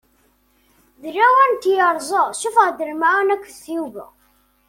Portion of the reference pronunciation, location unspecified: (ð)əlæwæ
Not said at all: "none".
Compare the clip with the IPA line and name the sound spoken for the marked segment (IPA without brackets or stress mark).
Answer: ð